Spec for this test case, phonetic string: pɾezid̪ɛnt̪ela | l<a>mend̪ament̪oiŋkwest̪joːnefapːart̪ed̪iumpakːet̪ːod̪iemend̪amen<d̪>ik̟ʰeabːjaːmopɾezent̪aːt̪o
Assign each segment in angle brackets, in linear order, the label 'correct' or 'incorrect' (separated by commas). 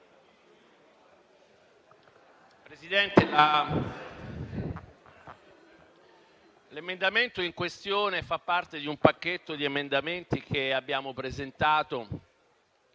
incorrect, incorrect